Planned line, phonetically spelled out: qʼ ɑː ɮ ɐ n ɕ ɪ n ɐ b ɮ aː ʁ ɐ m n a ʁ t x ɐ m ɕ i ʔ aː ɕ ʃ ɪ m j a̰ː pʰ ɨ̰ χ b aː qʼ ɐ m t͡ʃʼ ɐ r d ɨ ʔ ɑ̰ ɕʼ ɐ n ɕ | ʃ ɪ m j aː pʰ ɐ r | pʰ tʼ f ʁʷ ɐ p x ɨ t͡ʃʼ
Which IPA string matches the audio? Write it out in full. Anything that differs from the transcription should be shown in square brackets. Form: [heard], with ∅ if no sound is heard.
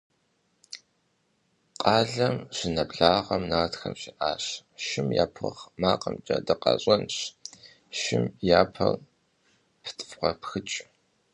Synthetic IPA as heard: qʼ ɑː ɮ ɐ [m] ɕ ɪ n ɐ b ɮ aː ʁ ɐ m n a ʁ t x ɐ m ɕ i ʔ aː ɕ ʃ ɪ m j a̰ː pʰ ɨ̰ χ [m] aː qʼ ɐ m t͡ʃʼ ɐ [∅] d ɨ [q] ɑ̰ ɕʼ ɐ n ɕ | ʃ ɪ m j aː pʰ ɐ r | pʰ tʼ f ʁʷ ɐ p x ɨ t͡ʃʼ